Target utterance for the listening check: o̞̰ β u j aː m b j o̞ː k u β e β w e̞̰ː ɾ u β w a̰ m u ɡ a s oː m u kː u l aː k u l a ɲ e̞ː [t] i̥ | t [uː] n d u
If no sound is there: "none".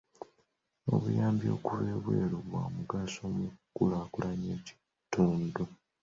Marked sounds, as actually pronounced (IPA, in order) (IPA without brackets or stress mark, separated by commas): c, uː